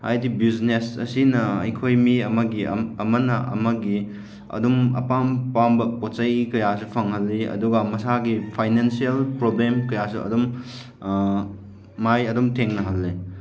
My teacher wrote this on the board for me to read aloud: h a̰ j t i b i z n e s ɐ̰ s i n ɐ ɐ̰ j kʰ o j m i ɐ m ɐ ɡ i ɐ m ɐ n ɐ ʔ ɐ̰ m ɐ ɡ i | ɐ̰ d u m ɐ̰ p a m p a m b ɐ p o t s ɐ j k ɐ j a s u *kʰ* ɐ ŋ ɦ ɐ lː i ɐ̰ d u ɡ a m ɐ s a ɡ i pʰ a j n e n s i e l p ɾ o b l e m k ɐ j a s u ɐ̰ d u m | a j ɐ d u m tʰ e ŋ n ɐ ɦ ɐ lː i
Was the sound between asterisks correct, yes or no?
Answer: no